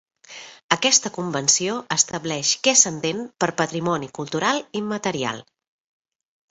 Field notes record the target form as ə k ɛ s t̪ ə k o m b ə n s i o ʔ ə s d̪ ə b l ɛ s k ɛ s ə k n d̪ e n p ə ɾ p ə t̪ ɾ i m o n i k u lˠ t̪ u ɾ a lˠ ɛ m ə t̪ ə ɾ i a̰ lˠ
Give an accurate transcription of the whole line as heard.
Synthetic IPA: ə k ɛ s t̪ ə k u m b ə n s i o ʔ ə s t̪ ə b l ɛ ʃ k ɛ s ə n d̪ e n p ə ɾ p ə t̪ ɾ i m ɔ n i k u lˠ t̪ u ɾ a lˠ i m ə t̪ ə ɾ i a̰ lˠ